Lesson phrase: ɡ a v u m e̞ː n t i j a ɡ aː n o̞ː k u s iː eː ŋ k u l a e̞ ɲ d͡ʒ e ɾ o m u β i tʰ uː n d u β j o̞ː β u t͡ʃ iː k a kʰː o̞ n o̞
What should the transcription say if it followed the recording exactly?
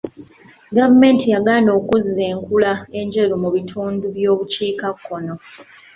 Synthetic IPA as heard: ɡ a v u m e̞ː n t i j a ɡ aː n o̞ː k u z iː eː ŋ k u l a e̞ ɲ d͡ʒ e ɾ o m u β i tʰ uː n d u β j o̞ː β u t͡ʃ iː k a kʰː o̞ n o̞